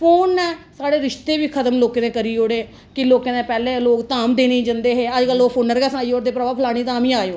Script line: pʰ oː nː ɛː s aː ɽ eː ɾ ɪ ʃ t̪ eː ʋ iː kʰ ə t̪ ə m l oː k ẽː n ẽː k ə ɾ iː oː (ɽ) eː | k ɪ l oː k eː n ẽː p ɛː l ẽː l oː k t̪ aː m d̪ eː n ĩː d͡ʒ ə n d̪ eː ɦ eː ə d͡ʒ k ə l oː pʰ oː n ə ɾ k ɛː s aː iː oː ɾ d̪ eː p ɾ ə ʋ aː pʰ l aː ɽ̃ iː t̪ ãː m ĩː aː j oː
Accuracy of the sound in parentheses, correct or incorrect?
correct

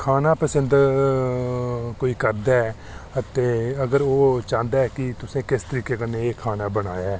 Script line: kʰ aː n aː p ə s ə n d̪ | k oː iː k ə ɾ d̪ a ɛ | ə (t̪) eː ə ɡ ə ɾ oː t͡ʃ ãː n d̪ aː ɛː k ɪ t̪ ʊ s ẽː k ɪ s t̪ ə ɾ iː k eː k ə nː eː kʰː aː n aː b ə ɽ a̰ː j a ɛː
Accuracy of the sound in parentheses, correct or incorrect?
correct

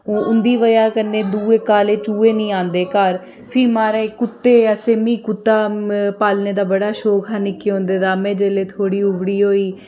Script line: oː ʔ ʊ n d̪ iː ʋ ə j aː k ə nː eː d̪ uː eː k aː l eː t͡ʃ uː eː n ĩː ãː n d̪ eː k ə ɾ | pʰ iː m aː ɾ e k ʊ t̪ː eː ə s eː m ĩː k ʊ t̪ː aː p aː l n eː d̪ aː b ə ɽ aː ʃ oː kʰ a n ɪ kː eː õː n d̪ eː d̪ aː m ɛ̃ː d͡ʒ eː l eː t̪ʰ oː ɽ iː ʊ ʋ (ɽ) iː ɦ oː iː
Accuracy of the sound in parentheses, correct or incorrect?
correct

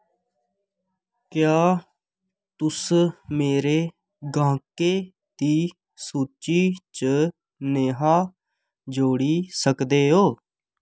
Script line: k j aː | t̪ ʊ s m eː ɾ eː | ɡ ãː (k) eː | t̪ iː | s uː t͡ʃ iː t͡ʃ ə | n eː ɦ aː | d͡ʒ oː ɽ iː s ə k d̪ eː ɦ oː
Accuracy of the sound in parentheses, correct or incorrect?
correct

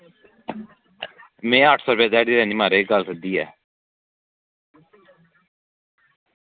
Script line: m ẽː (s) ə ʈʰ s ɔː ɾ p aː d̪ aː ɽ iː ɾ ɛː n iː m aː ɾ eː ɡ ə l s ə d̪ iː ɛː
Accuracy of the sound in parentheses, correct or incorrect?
incorrect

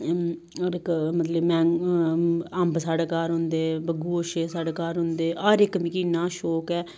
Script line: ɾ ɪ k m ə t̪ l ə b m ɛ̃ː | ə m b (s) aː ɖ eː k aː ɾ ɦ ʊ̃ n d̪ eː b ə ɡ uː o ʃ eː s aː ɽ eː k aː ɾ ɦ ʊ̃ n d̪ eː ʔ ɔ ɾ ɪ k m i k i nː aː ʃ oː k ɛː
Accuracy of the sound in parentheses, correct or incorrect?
correct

